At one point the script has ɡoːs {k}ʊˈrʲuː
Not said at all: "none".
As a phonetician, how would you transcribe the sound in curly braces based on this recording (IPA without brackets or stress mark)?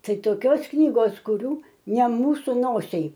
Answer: k